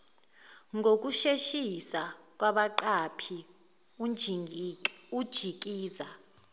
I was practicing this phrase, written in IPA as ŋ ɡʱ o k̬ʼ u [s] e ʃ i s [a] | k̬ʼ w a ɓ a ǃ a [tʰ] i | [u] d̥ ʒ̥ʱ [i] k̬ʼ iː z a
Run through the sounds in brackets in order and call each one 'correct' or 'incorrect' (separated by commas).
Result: incorrect, correct, incorrect, correct, correct